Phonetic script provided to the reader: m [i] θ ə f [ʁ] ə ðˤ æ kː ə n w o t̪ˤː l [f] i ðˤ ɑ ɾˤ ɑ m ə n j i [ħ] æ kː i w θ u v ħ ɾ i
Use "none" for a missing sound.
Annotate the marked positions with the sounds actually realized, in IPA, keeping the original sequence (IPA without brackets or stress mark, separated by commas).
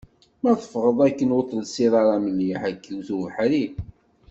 æ, ʁ, s, ħ